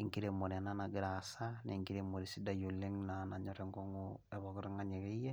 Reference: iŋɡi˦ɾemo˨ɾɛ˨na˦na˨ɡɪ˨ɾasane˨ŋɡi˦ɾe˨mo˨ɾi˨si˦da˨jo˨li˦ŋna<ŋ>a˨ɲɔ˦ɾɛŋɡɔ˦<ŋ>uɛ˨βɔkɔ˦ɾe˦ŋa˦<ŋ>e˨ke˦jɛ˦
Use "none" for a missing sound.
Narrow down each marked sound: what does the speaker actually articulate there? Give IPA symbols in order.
n, ŋ, ɲ

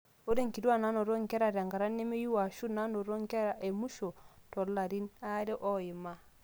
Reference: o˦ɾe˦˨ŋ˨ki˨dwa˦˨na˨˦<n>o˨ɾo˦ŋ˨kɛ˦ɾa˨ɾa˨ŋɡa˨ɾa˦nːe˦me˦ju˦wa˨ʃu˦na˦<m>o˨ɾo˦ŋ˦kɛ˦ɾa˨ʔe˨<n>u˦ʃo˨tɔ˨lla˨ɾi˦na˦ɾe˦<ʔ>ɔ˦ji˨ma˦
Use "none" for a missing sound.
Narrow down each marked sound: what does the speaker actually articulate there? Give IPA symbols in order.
n, n, m, ʔ

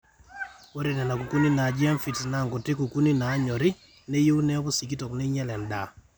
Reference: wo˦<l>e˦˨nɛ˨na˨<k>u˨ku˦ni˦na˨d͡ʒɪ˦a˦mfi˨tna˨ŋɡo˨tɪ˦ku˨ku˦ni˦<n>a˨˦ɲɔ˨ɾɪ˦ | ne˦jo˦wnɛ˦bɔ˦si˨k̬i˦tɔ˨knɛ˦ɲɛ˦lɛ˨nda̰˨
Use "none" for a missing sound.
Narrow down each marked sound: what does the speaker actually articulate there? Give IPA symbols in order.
ɾ, k, n

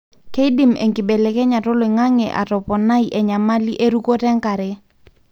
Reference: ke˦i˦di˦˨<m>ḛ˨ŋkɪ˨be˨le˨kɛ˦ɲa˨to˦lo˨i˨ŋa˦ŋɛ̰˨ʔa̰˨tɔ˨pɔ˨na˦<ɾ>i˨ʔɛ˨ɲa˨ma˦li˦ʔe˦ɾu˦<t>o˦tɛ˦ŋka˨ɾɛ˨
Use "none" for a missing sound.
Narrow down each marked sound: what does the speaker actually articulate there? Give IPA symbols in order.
m, none, k

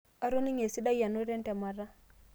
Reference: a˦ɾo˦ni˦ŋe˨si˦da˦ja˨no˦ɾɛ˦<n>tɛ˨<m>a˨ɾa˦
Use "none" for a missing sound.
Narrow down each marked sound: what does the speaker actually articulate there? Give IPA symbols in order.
n, m

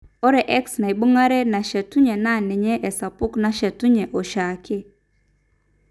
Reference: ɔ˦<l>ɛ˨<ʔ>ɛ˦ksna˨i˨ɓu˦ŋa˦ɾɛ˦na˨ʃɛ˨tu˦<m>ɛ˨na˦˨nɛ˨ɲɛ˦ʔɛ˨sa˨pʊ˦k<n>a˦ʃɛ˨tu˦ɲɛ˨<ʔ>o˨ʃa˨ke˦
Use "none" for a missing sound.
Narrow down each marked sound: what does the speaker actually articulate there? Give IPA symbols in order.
ɾ, ʔ, ɲ, n, ʔ

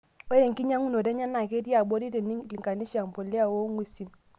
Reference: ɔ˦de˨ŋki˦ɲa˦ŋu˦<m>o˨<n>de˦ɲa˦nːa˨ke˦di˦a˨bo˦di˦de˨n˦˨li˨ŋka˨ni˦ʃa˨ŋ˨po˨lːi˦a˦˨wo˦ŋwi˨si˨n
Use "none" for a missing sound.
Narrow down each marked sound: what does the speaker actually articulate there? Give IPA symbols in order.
n, none

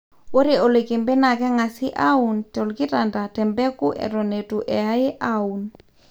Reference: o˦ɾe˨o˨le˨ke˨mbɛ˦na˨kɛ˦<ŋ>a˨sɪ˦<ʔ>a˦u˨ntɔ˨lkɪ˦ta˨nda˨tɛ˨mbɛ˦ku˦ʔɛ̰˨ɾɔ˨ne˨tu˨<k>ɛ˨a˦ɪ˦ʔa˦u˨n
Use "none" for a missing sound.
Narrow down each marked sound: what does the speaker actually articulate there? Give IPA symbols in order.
ŋ, ʔ, ʔ

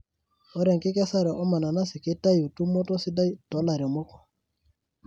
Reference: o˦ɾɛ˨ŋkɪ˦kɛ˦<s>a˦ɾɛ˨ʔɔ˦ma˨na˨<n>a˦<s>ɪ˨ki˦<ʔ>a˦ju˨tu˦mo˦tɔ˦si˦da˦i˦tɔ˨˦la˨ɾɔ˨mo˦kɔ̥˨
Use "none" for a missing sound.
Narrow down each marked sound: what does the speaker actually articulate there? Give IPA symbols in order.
s, n, s, t

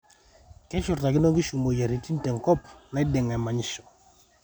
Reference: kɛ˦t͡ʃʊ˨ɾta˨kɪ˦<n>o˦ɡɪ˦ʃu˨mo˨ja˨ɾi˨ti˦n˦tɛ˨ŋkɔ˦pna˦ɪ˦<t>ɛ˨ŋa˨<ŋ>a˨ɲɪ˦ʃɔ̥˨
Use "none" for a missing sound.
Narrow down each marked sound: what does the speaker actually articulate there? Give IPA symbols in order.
n, d, m

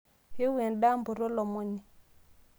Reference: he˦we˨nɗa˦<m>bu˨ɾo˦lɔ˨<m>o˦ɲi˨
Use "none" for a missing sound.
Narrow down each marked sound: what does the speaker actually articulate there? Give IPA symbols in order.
m, m

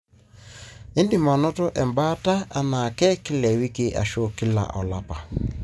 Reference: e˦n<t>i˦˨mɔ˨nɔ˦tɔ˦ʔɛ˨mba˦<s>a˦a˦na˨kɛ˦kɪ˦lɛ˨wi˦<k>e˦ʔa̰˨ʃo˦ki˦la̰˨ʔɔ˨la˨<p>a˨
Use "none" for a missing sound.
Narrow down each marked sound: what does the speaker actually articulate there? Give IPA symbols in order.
d, t, k, p

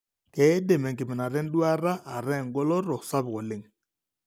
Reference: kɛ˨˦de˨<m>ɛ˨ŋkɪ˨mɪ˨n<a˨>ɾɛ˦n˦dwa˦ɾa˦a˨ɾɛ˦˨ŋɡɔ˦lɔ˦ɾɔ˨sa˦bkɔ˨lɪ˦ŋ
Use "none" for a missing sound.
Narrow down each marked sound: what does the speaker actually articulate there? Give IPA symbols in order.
m, a˨

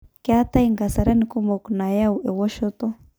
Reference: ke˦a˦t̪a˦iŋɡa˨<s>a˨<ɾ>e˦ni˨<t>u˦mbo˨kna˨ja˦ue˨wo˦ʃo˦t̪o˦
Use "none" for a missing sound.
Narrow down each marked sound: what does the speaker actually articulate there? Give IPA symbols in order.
s, ɾ, k

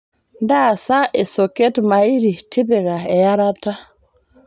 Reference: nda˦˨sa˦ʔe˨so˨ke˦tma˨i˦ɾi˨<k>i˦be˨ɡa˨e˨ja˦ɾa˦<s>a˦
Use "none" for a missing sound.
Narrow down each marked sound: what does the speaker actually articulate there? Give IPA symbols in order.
t, t

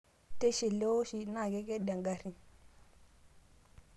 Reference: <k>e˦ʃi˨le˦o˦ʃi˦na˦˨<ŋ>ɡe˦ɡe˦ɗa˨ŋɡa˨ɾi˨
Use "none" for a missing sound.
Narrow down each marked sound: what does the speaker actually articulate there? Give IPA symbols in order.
t, none

